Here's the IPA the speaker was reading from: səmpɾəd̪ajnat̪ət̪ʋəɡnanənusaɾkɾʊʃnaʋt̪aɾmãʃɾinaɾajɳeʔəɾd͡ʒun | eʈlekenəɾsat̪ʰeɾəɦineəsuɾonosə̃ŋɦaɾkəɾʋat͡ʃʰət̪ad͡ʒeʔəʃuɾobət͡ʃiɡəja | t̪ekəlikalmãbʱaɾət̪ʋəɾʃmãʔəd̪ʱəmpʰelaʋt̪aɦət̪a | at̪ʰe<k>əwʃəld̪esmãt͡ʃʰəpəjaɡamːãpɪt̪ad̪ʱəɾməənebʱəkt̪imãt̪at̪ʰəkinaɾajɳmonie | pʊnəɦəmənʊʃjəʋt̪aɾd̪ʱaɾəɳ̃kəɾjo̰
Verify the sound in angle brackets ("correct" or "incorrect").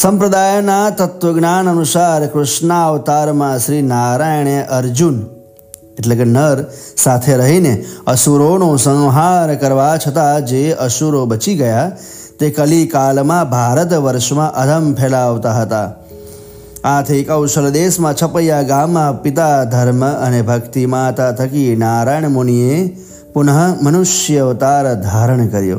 correct